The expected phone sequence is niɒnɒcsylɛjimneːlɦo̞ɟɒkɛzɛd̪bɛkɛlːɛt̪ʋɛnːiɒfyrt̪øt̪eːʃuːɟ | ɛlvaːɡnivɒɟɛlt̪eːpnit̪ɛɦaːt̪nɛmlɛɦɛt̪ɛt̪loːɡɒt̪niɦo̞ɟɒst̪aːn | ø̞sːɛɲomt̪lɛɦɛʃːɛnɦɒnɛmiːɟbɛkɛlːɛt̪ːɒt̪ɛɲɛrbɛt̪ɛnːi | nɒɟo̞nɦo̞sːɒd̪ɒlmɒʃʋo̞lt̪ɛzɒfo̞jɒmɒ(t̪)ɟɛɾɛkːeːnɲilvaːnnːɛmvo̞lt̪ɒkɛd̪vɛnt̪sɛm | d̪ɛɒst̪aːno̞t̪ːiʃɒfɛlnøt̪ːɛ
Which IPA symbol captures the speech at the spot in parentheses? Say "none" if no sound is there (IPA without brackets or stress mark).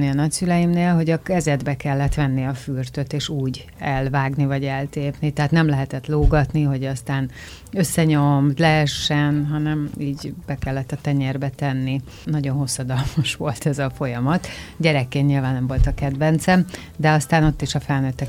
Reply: t̪